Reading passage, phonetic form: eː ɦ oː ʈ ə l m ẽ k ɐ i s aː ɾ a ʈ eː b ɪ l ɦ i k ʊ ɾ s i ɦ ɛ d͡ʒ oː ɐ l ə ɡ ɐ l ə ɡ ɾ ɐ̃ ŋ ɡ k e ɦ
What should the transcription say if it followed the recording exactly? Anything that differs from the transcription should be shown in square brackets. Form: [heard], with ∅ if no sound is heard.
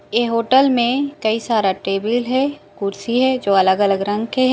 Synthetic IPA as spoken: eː ɦ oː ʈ ə l m ẽ k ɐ i s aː ɾ a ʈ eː b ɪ l ɦ [ɛ] k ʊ ɾ s i ɦ ɛ d͡ʒ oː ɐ l ə ɡ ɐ l ə ɡ ɾ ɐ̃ ŋ ɡ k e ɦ